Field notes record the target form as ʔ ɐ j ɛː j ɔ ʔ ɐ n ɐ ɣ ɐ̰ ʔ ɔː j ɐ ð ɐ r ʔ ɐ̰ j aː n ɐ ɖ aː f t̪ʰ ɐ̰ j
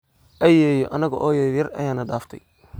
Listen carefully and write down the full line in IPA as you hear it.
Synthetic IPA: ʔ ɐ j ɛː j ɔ ʔ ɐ n ɐ ɣ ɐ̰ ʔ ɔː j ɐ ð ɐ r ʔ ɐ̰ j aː n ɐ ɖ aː f t̪ʰ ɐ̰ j